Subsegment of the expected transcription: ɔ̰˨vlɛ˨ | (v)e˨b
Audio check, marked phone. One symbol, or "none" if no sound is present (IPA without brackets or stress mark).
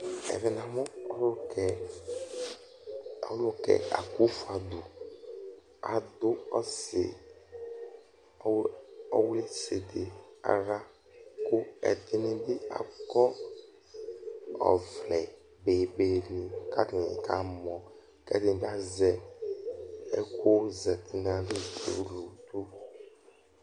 b